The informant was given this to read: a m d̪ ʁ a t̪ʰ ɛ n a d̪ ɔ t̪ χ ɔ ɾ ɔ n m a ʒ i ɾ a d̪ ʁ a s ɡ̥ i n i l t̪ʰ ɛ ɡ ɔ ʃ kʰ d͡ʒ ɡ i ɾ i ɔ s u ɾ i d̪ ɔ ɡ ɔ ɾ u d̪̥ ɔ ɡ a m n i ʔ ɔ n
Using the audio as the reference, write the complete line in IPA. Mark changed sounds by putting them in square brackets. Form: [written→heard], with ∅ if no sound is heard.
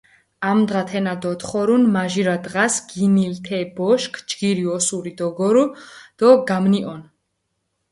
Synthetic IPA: a m d̪ ʁ a t̪ʰ ɛ n a d̪ ɔ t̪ χ ɔ ɾ [ɔ→u] n m a ʒ i ɾ a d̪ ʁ a s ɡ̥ i n i l t̪ʰ ɛ [ɡ→b] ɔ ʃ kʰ d͡ʒ ɡ i ɾ i ɔ s u ɾ i d̪ ɔ ɡ ɔ ɾ u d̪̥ ɔ ɡ a m n i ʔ ɔ n